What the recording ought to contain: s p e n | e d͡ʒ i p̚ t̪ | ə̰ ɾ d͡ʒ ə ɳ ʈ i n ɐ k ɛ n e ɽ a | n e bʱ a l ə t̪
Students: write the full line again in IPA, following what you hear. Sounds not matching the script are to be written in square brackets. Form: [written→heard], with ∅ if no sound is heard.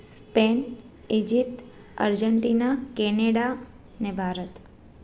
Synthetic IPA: s p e n | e d͡ʒ i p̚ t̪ | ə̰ ɾ d͡ʒ ə ɳ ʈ i n [ɐ→a] k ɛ n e ɽ a | n e bʱ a [l→ɾ] ə t̪